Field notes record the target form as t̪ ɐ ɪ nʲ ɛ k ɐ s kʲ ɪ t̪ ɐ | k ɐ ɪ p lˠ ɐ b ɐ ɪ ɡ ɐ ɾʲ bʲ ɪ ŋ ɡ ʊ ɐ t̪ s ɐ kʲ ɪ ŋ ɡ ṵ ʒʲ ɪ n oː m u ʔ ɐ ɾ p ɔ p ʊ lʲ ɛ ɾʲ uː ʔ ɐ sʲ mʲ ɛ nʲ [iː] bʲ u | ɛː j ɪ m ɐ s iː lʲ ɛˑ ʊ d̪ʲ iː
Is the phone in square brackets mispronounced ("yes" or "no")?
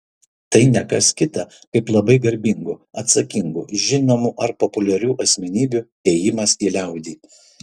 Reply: no